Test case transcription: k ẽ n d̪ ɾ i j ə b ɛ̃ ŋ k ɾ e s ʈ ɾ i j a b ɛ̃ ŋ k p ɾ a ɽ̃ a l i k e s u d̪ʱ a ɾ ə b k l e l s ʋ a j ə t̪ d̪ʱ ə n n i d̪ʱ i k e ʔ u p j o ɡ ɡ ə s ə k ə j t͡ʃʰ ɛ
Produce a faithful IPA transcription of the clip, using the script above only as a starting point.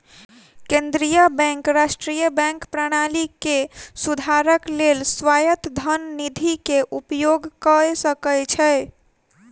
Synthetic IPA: k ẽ n d̪ ɾ i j ə b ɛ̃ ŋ k ɾ a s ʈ ɾ i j ə b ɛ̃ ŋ k p ɾ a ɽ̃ a l i k e s u d̪ʱ a ɾ ə k l e l s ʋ a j ə t̪ d̪ʱ ə n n i d̪ʱ i k e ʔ u p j o ɡ k ə s ə k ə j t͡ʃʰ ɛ